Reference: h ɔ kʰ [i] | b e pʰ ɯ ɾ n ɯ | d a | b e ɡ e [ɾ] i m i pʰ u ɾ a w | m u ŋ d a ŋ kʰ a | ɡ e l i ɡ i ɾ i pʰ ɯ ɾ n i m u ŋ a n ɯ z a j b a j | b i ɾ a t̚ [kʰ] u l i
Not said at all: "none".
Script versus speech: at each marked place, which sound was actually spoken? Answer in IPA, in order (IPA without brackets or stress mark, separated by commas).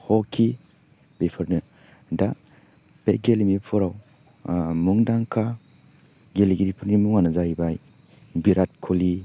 i, l, kʰ